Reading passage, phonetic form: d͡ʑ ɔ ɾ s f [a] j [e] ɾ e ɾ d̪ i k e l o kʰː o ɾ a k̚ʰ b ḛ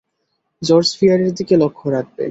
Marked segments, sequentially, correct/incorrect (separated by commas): incorrect, incorrect